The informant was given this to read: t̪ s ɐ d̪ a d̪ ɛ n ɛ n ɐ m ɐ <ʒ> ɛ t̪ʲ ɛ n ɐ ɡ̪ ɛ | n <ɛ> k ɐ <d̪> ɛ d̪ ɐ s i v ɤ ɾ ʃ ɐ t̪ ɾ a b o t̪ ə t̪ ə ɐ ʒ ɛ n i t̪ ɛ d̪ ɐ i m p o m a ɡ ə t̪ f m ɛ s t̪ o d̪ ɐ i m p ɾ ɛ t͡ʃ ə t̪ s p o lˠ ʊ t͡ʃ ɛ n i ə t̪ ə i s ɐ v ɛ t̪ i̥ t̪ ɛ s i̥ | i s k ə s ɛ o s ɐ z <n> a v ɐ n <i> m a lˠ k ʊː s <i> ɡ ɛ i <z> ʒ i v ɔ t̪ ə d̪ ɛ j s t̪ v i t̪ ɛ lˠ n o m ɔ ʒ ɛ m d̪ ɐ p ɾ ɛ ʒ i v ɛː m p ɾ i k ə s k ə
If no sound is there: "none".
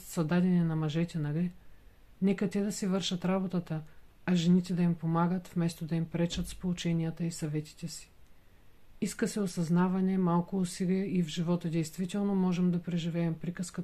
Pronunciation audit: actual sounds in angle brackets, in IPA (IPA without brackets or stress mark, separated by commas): ʒ, ɛ, t̪, n, ɛ, i, v